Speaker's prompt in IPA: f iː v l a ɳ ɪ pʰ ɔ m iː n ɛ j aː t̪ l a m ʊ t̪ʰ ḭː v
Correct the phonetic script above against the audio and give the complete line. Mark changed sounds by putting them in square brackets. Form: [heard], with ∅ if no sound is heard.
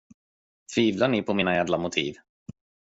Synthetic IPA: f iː v l a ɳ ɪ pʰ ɔ m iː n [a] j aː [d̪] l a m ʊ t̪ʰ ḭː v